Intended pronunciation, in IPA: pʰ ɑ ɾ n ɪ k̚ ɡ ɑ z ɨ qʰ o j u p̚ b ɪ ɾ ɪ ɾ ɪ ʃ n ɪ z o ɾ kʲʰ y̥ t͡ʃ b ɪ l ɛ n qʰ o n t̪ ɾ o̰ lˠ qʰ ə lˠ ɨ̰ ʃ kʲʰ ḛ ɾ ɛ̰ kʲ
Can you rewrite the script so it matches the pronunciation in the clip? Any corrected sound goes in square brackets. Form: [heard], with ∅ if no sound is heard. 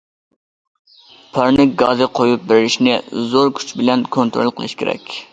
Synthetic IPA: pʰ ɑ ɾ n ɪ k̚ ɡ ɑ z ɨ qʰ o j u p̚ b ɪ ɾ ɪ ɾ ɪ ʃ n ɪ z o ɾ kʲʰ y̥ t͡ʃ b ɪ l ɛ n [kʰ] o n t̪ ɾ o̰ lˠ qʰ ə lˠ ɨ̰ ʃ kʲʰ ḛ ɾ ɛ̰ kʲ